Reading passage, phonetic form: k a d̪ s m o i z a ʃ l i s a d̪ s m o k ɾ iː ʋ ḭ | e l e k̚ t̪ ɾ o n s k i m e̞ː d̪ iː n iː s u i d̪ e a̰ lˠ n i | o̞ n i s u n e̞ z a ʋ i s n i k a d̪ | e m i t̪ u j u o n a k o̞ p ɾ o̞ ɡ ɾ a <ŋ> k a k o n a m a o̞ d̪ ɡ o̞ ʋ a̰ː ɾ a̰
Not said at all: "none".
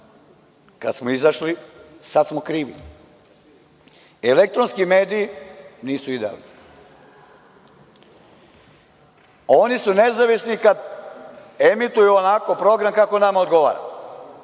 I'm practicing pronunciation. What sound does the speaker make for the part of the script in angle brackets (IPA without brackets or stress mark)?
m